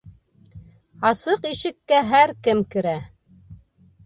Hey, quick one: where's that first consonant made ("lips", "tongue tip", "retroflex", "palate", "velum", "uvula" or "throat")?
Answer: tongue tip